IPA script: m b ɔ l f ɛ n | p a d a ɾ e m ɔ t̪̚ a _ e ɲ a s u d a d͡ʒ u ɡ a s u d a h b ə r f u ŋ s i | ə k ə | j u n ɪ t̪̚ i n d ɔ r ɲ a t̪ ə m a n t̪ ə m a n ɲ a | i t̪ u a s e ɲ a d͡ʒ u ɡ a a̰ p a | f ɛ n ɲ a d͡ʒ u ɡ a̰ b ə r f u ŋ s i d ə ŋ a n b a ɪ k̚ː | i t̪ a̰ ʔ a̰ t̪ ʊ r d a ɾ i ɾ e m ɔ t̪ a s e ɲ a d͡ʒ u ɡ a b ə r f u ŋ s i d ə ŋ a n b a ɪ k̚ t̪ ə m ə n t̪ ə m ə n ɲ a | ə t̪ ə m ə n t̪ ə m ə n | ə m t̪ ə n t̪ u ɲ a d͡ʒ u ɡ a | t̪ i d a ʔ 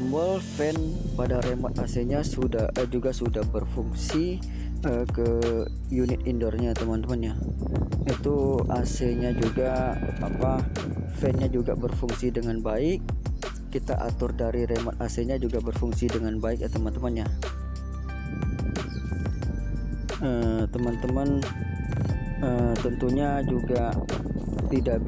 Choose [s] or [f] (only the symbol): s